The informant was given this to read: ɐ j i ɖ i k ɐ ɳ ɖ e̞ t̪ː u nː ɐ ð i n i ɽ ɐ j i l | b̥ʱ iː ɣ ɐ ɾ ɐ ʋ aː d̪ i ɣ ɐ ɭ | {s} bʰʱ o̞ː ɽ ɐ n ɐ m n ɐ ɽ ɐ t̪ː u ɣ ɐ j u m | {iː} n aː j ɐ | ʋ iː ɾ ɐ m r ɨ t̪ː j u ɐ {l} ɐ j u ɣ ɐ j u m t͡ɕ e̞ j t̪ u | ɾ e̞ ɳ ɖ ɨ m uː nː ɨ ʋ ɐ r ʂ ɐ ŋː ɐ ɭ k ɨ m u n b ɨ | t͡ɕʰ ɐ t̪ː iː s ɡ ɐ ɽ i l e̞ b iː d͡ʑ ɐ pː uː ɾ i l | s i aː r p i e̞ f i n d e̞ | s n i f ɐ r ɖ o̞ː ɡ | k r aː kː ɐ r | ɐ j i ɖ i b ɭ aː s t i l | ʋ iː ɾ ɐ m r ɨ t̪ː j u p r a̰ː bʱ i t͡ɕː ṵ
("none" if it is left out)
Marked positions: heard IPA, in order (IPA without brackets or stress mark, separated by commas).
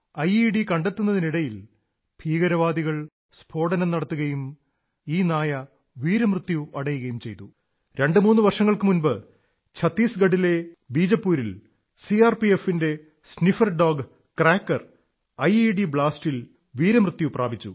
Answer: s, iː, ɽ